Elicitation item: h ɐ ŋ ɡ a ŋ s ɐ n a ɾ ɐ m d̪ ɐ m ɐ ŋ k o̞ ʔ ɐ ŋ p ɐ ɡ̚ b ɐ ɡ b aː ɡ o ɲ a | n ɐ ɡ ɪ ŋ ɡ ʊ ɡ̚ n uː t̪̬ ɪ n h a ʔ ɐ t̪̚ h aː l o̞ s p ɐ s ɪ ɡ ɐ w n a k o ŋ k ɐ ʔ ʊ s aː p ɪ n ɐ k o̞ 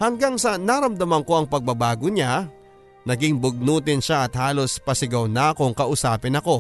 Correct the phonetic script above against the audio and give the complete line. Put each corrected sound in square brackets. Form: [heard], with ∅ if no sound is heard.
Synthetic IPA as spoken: h ɐ ŋ ɡ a ŋ s ɐ n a ɾ ɐ m d̪ ɐ m ɐ ŋ k o̞ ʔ ɐ ŋ p ɐ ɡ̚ b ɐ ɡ b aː ɡ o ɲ a | n ɐ ɡ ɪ ŋ [b] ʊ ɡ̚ n uː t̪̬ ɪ n [ʃ] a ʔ ɐ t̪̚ h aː l o̞ s p ɐ s ɪ ɡ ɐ w n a k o ŋ k ɐ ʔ ʊ s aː p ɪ n ɐ k o̞